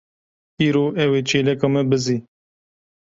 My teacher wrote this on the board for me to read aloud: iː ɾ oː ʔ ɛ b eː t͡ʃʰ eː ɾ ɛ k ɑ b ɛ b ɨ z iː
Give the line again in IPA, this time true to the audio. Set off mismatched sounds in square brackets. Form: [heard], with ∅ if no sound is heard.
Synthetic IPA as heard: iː ɾ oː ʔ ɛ [w] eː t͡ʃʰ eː [l] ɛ k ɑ [m] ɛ b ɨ z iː